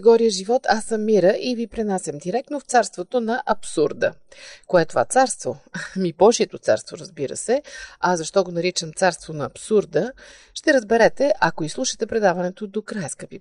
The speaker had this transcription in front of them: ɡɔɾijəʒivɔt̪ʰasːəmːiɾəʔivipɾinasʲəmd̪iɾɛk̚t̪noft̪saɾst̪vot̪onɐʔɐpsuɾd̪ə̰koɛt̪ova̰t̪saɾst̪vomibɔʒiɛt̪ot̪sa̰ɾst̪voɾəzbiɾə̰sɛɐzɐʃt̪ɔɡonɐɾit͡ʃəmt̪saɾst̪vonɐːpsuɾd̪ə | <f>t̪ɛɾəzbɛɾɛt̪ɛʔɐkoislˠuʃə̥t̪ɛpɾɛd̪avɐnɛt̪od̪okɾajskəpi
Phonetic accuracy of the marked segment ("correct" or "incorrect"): incorrect